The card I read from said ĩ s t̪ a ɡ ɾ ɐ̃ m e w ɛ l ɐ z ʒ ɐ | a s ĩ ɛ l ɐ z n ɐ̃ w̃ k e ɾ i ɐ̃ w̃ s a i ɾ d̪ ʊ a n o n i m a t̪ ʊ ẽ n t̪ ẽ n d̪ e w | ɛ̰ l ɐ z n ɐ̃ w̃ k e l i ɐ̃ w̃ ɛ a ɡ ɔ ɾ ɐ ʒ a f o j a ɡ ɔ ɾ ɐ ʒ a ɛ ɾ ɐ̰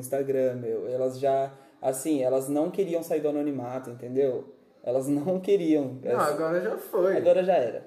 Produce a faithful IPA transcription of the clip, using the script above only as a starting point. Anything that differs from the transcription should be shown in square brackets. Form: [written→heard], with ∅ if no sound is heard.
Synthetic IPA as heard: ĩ s t̪ a ɡ ɾ ɐ̃ m e w ɛ l ɐ z ʒ [ɐ→a] | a s ĩ ɛ l ɐ z n ɐ̃ w̃ k e ɾ i ɐ̃ w̃ s a i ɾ d̪ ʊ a n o n i m a t̪ ʊ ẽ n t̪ ẽ n d̪ e w | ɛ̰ l ɐ z n ɐ̃ w̃ k e [l→ɾ] i ɐ̃ w̃ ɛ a ɡ ɔ ɾ ɐ ʒ a f o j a ɡ ɔ ɾ ɐ ʒ a ɛ ɾ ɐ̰